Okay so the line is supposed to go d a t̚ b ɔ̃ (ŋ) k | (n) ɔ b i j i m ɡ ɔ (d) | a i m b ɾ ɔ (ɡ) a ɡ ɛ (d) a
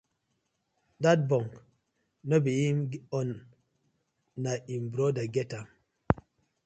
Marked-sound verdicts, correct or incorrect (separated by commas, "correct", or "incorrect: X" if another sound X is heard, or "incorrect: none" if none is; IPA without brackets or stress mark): correct, correct, incorrect: n, incorrect: d, incorrect: t